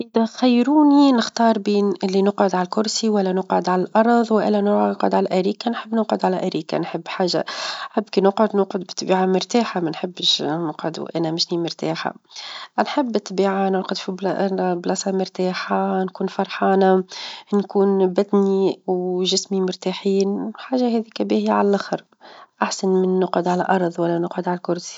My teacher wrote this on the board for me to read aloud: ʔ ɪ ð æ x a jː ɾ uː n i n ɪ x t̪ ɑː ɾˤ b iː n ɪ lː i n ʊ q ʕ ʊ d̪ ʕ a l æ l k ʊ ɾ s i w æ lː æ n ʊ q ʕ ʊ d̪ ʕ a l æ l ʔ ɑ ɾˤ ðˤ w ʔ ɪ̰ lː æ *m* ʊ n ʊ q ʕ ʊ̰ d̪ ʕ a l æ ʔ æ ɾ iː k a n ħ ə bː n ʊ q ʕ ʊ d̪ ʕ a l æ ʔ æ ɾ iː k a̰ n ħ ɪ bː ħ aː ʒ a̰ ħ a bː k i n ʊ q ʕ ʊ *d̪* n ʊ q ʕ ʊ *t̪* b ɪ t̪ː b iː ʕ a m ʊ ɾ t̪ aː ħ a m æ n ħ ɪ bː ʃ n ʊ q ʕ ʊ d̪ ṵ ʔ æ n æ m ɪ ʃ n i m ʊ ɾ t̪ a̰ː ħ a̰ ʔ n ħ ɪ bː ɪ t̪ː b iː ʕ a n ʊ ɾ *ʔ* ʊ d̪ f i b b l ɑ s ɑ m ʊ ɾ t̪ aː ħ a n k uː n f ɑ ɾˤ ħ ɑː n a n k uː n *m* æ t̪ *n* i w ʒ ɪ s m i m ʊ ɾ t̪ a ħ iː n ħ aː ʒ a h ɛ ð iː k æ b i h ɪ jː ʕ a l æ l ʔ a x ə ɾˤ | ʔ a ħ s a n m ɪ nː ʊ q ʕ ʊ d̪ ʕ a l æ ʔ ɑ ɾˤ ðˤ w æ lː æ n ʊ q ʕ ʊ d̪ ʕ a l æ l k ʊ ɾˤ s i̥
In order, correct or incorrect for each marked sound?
incorrect, correct, incorrect, incorrect, incorrect, correct

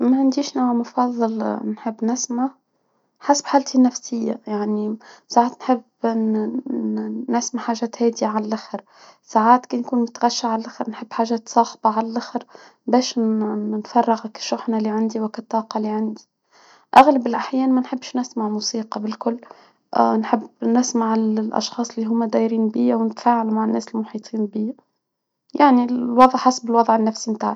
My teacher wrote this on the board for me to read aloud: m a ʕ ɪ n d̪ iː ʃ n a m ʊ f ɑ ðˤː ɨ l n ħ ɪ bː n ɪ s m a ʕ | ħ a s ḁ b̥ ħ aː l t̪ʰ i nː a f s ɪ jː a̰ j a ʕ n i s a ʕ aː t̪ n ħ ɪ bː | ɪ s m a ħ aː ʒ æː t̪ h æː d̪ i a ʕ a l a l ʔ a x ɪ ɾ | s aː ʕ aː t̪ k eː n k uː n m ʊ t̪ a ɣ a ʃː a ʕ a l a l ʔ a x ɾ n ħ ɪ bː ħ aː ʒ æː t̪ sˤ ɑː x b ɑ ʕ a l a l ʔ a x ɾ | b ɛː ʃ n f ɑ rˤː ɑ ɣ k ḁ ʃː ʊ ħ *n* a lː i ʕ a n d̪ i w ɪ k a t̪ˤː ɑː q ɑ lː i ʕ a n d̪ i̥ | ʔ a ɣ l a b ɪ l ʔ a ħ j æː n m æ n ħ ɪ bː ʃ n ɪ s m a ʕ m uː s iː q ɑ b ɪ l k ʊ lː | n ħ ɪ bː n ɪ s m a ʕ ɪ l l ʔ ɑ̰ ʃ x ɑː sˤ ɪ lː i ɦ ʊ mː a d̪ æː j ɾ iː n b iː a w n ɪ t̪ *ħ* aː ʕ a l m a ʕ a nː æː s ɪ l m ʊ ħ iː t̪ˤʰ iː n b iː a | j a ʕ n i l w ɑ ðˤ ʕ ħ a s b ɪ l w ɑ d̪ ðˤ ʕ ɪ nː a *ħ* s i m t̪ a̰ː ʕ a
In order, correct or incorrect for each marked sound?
correct, incorrect, incorrect

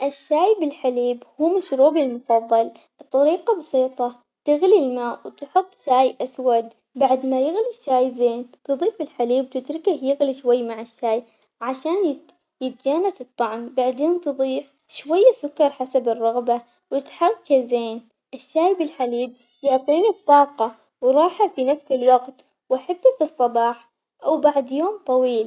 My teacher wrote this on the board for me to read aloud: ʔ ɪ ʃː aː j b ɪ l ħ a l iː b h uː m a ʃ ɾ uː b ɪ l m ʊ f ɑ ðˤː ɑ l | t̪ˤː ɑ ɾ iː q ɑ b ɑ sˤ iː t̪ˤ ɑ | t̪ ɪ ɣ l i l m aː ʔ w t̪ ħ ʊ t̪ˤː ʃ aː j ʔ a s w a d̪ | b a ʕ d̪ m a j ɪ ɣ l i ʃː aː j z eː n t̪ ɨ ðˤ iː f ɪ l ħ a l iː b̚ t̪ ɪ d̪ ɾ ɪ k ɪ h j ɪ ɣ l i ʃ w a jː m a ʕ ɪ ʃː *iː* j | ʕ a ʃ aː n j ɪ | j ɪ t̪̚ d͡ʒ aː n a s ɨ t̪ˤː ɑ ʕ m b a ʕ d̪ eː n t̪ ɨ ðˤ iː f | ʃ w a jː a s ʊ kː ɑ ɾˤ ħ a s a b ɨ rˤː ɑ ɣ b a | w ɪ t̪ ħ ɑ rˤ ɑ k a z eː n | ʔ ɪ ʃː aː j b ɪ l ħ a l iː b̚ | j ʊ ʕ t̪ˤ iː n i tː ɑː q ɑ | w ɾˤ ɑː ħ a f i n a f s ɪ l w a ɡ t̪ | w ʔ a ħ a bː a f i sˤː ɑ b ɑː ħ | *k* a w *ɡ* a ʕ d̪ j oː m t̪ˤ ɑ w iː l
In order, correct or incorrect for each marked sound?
incorrect, incorrect, incorrect

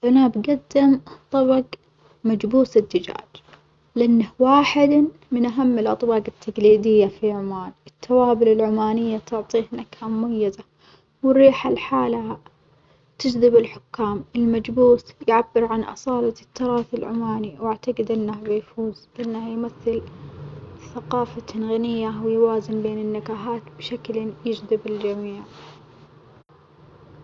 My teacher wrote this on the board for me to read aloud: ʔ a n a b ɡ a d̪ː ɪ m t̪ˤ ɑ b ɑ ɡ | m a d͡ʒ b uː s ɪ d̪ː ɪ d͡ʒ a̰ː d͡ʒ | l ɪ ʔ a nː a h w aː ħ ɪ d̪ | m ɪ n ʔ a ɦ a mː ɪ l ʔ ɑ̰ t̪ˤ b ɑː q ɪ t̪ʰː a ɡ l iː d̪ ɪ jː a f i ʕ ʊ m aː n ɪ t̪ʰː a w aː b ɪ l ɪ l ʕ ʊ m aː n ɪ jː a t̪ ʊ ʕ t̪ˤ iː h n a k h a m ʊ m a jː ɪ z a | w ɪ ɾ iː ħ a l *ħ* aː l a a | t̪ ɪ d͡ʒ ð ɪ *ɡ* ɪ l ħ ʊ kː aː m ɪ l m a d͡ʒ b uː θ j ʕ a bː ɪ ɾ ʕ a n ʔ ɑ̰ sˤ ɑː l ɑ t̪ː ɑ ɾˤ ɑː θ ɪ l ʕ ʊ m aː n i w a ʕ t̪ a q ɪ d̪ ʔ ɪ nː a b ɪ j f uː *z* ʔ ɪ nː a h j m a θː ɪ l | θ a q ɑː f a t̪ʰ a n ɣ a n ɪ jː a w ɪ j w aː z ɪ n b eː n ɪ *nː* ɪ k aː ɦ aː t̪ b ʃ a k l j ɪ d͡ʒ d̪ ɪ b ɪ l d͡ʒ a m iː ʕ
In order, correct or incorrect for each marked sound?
correct, incorrect, correct, correct

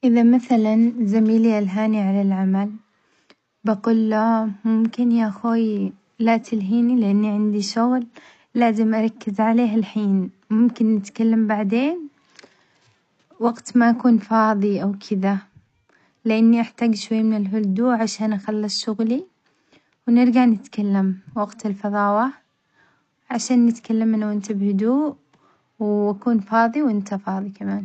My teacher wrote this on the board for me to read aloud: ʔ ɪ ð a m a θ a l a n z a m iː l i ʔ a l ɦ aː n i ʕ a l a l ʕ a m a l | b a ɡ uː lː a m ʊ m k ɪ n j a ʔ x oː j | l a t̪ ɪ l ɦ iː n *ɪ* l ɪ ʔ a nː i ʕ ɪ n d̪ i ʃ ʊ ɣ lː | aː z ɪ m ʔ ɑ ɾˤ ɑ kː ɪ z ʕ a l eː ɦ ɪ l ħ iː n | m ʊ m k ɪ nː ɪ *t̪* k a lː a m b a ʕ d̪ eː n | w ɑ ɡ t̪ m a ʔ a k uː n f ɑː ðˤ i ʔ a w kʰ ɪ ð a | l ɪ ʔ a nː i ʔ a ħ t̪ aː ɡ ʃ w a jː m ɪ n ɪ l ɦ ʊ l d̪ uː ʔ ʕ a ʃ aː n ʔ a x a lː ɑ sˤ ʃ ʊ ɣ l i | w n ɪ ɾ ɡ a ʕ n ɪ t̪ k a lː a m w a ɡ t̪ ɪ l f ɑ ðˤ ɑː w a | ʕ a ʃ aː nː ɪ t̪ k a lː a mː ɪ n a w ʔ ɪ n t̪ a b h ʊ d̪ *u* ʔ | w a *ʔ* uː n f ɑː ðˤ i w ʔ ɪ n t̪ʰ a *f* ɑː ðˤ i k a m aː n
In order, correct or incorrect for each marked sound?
incorrect, correct, incorrect, incorrect, correct

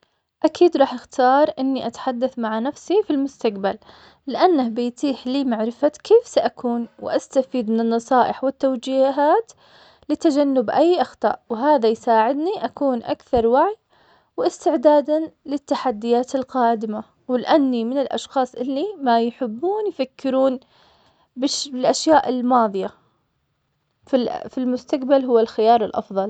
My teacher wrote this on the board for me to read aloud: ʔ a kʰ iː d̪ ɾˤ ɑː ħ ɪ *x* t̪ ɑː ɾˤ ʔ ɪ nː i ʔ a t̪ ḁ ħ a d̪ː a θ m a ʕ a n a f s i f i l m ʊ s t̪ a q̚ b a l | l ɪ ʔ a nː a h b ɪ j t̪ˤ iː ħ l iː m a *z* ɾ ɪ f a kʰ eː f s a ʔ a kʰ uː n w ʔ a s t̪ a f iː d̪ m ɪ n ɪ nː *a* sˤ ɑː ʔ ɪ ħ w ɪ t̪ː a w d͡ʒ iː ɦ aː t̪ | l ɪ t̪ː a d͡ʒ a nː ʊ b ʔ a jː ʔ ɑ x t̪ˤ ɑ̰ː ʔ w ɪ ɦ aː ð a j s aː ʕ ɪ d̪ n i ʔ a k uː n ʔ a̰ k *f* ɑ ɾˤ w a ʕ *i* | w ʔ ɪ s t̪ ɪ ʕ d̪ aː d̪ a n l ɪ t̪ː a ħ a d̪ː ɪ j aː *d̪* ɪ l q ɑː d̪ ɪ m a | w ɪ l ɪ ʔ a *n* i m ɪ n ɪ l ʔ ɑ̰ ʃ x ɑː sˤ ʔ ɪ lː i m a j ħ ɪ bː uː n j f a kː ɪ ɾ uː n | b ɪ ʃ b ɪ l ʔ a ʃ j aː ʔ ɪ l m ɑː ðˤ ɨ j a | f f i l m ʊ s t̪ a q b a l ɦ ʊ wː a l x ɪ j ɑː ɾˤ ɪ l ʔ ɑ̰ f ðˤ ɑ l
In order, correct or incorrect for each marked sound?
correct, incorrect, incorrect, incorrect, incorrect, incorrect, incorrect

